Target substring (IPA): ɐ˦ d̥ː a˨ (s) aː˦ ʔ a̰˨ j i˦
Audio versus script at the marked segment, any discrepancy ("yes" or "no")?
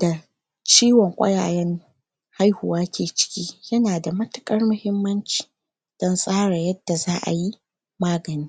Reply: yes